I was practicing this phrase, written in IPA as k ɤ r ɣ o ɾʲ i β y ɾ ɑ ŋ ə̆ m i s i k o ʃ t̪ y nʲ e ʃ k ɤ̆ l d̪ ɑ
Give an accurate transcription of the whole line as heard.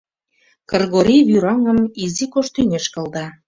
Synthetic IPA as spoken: k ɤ r ɣ o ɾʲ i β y ɾ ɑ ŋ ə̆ m i z i k o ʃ t̪ y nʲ e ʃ k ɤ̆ l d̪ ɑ